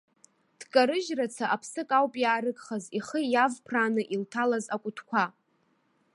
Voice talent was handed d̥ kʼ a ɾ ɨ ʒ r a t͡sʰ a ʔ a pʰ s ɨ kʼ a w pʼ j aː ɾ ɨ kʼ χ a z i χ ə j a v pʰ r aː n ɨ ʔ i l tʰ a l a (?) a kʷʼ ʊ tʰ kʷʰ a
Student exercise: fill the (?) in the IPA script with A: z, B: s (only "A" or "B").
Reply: A